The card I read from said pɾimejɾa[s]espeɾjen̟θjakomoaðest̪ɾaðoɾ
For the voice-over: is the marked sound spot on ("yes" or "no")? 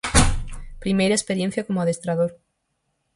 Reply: no